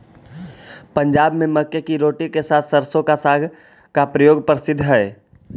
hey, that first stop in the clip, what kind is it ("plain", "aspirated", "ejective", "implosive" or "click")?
plain